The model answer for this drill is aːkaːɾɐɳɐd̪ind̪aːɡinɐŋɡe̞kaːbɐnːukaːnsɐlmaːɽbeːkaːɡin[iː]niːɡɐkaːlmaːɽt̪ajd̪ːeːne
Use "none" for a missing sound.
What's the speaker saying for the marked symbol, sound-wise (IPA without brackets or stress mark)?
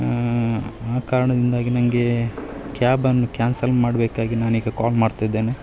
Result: aː